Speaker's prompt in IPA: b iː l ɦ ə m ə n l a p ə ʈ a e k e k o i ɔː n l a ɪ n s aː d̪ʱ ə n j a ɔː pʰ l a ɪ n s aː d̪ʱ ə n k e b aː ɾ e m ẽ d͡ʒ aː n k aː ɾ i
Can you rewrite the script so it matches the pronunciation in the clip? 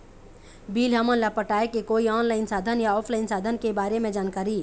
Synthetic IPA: b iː l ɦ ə m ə n l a p ə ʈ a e k e k o i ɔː n l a ɪ n s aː d̪ʱ ə n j a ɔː pʰ l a ɪ n s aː d̪ʱ ə n k e b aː ɾ e m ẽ d͡ʒ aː n k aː ɾ i